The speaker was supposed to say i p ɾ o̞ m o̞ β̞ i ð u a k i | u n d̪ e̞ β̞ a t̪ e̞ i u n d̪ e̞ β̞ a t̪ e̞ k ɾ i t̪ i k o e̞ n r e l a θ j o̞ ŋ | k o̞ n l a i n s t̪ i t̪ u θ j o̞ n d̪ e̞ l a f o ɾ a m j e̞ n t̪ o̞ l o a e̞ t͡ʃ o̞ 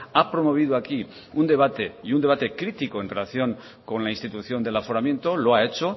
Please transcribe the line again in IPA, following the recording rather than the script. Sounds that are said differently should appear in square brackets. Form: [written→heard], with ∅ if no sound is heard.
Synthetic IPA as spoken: [i→a] p ɾ o̞ m o̞ β̞ i ð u a k i | u n d̪ e̞ β̞ a t̪ e̞ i u n d̪ e̞ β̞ a t̪ e̞ k ɾ i t̪ i k o e̞ n r e l a θ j o̞ ŋ | k o̞ n l a i n s t̪ i t̪ u θ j o̞ n d̪ e̞ l a f o ɾ a m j e̞ n t̪ o̞ l o a e̞ t͡ʃ o̞